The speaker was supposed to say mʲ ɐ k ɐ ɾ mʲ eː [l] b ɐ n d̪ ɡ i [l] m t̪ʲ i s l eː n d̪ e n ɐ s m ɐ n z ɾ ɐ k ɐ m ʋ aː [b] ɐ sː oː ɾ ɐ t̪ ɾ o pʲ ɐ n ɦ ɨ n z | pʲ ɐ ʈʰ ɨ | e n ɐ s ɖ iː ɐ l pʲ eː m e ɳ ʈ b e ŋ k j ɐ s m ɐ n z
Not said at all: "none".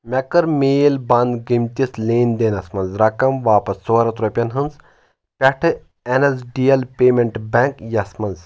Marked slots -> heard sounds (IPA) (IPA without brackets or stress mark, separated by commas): l, none, p